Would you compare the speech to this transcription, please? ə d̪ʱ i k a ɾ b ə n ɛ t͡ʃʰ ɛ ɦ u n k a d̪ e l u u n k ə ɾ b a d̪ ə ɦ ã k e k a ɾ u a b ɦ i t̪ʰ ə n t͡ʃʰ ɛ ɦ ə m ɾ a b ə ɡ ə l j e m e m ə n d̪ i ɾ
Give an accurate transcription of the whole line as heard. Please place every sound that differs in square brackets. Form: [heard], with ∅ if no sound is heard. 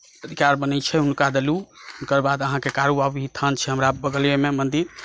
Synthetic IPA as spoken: ə d̪ʱ i k a ɾ b ə n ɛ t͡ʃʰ ɛ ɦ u n k a d̪ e l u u n k ə ɾ b a d̪ ə ɦ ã k e k a ɾ u a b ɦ i t̪ʰ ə n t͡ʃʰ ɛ ɦ ə m ɾ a b ə ɡ ə l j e m e m ə n d̪ i ɾ